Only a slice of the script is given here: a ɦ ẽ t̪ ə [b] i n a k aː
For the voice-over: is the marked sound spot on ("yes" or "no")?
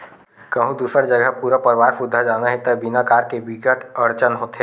yes